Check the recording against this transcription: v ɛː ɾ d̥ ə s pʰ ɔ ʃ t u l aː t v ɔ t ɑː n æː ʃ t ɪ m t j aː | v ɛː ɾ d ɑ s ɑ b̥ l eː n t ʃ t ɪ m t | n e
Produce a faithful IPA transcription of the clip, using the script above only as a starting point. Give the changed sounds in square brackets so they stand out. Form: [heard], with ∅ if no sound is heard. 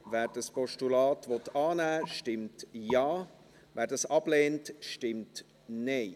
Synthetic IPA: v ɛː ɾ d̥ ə s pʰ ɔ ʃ t u l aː t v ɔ t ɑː n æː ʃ t ɪ m t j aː | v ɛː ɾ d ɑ s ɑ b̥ l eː n t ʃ t ɪ m t | n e